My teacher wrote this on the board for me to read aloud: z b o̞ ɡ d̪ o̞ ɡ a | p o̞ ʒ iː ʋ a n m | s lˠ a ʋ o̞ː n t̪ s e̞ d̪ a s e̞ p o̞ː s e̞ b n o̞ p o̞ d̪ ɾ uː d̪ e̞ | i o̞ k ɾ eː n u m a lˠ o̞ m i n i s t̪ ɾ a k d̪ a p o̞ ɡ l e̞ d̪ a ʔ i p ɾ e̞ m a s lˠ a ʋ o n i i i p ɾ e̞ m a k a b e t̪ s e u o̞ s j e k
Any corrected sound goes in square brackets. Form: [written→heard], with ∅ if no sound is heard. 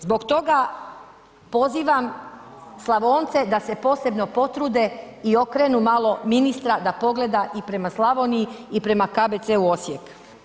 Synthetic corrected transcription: z b o̞ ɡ [d̪→t̪] o̞ ɡ a | p o̞ [ʒ→z] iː ʋ a [n→∅] m | s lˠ a ʋ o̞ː n t̪ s e̞ d̪ a s e̞ p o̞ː s e̞ b n o̞ p o̞ [d̪→t̪] ɾ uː d̪ e̞ | i o̞ k ɾ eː n u m a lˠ o̞ m i n i s t̪ ɾ a [k→∅] d̪ a p o̞ ɡ l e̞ d̪ a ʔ i p ɾ e̞ m a s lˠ a ʋ o n i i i p ɾ e̞ m a k a b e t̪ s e u o̞ s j e k